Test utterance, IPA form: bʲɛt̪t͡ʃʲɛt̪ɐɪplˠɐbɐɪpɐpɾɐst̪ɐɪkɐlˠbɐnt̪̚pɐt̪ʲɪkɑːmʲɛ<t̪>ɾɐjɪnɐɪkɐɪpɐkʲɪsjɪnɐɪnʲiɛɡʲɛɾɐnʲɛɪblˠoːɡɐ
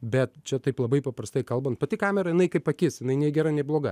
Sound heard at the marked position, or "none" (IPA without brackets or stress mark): none